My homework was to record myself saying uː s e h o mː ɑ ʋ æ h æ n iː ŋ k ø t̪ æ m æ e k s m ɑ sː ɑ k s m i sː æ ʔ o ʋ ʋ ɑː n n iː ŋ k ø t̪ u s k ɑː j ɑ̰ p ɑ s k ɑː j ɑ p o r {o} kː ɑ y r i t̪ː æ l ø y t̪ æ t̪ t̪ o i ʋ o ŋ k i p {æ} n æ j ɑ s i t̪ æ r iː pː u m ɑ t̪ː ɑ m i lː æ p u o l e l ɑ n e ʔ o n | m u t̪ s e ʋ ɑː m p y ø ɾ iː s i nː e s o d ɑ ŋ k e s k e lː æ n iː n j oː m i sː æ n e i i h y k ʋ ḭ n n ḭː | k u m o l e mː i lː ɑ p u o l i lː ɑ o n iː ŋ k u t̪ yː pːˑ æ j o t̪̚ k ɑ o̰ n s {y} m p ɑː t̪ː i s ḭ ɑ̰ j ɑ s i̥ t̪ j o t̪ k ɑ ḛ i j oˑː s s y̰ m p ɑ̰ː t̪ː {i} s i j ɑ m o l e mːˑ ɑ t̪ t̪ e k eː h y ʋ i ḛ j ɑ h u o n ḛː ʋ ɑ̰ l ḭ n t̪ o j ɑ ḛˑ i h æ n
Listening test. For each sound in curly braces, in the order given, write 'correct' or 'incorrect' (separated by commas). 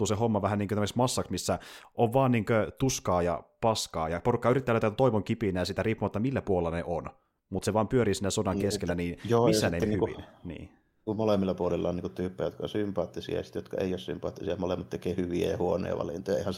incorrect, incorrect, correct, correct